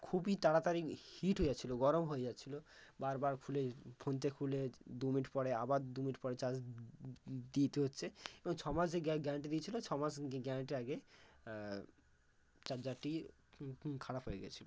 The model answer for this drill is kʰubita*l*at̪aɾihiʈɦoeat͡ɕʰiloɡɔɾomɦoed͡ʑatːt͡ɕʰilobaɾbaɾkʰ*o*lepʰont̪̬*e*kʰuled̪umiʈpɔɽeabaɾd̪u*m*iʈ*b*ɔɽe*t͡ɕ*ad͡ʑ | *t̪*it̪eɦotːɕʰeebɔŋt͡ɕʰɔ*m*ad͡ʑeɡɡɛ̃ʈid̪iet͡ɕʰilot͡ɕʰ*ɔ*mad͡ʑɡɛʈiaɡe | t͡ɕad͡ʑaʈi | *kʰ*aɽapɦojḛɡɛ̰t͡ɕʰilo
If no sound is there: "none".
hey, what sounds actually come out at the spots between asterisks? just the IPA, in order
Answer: ɽ, u, e, m, p, t͡ɕ, d̪, m, ɔ, kʰ

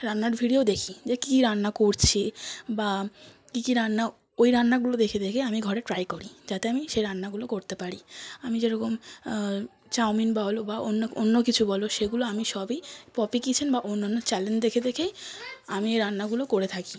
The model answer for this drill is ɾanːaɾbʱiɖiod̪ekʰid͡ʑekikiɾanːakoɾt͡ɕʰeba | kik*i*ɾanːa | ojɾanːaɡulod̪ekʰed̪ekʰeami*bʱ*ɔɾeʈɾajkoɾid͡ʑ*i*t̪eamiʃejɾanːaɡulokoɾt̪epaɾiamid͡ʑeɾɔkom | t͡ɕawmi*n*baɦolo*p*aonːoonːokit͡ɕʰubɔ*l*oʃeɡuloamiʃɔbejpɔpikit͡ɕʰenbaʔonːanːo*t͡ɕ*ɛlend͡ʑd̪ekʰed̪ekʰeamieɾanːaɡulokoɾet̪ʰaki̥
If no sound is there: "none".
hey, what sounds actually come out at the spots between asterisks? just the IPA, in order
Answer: i, ɡʱ, a, n, b, l, t͡ɕ

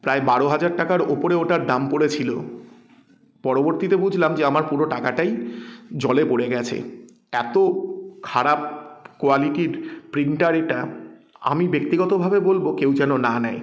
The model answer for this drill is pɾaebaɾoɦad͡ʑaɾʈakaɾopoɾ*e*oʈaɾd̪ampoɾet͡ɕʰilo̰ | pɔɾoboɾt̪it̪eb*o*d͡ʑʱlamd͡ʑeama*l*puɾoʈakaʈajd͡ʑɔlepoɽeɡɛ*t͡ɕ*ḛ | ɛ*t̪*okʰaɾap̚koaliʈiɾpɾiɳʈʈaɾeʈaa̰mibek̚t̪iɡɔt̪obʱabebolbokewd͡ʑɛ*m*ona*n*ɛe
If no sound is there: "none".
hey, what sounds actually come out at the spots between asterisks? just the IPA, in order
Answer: e, u, ɾ, t͡ɕʰ, t̪, n, n

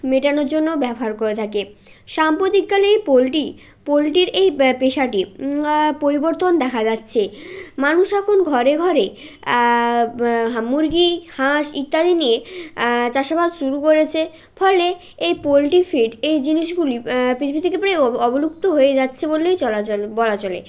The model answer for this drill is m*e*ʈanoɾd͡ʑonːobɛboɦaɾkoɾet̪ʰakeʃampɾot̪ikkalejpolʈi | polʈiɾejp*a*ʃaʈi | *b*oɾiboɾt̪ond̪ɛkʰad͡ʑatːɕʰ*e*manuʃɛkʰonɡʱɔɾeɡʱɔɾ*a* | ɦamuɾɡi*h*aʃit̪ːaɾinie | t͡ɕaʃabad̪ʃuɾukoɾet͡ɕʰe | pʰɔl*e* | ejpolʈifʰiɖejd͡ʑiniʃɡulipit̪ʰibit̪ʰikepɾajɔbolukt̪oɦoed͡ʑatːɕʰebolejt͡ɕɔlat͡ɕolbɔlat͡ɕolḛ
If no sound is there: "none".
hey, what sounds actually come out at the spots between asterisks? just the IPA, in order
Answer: e, e, p, e, e, h, e

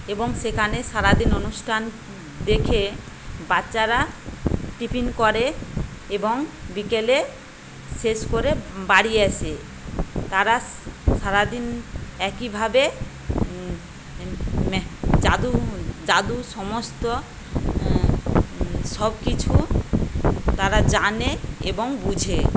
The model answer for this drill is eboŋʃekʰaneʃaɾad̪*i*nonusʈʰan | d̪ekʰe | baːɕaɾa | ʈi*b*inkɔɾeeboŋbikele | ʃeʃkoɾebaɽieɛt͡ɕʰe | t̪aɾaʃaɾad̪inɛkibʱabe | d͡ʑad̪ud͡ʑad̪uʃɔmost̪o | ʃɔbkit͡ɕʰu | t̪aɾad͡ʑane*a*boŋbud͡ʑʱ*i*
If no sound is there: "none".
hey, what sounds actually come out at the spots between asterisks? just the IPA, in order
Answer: i, p, e, e

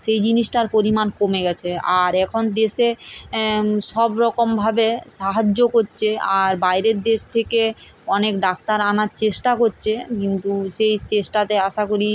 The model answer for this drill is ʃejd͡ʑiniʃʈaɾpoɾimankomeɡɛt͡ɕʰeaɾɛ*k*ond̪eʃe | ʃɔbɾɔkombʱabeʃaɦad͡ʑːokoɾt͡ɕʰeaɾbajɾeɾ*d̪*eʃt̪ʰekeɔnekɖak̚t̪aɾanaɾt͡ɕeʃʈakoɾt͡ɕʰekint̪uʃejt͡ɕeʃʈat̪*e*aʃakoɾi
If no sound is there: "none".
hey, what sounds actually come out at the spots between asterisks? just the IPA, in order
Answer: kʰ, d̪, e

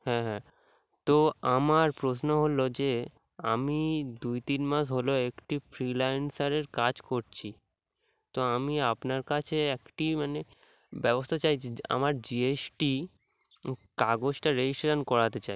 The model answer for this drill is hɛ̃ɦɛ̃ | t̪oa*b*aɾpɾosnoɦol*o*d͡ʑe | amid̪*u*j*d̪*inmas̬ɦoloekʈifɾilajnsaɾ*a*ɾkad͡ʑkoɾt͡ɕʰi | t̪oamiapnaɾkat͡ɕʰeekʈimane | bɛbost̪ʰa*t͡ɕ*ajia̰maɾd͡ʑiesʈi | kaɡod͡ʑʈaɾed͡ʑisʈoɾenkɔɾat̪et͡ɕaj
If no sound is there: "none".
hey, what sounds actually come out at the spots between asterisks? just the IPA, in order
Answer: m, o, u, t̪, e, t͡ɕ

